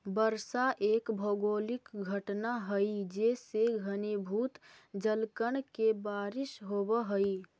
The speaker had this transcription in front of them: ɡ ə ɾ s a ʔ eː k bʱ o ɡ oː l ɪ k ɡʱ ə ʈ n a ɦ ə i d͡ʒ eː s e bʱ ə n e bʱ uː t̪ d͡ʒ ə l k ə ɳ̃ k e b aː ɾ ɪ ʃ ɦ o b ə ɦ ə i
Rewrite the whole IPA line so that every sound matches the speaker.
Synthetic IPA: b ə ɾ s a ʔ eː k bʱ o ɡ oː l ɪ k ɡʱ ə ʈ n a ɦ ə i d͡ʒ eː s e ɡʱ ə n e bʱ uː t̪ d͡ʒ ə l k ə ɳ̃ k e b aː ɾ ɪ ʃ ɦ o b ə ɦ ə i